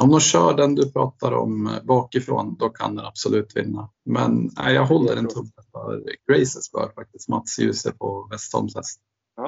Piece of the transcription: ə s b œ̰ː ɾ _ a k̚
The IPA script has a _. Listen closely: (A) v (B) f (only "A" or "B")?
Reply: B